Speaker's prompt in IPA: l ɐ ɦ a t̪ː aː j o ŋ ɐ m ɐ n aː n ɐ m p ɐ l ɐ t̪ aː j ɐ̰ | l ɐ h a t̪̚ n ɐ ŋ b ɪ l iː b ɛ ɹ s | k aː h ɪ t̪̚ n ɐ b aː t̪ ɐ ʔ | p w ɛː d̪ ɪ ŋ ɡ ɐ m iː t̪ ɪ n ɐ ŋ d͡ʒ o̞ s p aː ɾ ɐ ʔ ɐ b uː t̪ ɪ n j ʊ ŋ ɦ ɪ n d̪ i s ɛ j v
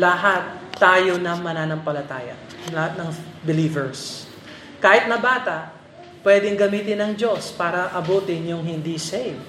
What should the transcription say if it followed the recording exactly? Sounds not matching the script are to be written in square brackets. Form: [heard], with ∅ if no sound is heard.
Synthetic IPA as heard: l ɐ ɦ a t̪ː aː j o [n] ɐ m ɐ n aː n ɐ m p ɐ l ɐ t̪ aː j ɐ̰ | l ɐ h a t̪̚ n ɐ ŋ b ɪ l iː [v] ɛ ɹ s | k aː h ɪ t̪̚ n ɐ b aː t̪ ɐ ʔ | p w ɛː d̪ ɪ ŋ ɡ ɐ m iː t̪ ɪ n ɐ ŋ d͡ʒ o̞ s p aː ɾ ɐ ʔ ɐ b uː t̪ ɪ n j ʊ ŋ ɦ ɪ n d̪ i s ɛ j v